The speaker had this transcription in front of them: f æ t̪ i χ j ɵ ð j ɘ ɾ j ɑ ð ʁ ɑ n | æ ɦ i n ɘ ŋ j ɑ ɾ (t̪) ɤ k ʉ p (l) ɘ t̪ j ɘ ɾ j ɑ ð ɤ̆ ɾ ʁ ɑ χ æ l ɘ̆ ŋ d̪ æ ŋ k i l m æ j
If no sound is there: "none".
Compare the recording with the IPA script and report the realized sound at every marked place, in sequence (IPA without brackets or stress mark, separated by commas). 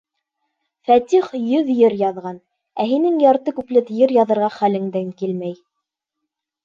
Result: t̪, l